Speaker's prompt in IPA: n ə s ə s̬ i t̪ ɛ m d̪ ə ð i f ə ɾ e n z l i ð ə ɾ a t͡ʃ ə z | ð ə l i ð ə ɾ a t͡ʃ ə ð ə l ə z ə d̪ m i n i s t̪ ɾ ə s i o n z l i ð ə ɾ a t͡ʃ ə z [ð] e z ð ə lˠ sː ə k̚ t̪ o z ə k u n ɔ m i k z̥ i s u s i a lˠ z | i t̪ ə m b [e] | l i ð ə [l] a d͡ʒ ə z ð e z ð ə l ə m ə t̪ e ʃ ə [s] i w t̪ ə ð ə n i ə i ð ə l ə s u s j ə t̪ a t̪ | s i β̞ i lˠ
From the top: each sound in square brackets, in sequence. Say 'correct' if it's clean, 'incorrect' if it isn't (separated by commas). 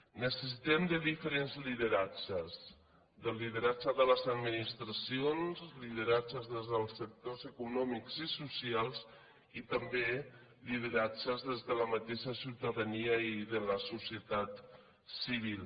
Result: correct, correct, incorrect, correct